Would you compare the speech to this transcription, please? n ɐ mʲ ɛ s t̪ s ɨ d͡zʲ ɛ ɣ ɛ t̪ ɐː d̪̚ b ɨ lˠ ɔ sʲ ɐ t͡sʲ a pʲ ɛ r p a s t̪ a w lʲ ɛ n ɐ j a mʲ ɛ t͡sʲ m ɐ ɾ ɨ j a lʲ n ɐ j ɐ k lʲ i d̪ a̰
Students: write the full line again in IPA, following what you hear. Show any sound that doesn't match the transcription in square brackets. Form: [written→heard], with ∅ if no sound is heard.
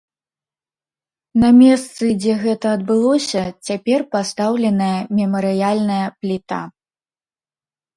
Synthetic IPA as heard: n ɐ mʲ ɛ s t̪ s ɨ d͡zʲ ɛ ɣ ɛ t̪ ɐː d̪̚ b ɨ lˠ ɔ sʲ ɐ t͡sʲ a pʲ ɛ r p a s t̪ a w lʲ ɛ n ɐ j [a→ɐ] mʲ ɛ [t͡sʲ→∅] m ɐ ɾ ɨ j a lʲ n ɐ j ɐ [k→p] lʲ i [d̪→t̪] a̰